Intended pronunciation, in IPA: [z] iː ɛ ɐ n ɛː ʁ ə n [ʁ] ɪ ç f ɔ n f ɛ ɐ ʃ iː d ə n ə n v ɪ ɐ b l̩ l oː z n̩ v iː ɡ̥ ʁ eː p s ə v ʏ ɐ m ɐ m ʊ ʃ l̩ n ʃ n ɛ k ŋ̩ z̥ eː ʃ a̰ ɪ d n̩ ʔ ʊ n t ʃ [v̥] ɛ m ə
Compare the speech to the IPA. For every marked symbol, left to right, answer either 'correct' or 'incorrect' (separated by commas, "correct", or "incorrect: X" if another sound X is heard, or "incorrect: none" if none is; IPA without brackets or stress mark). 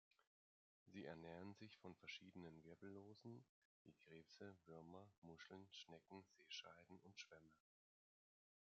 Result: correct, incorrect: z, correct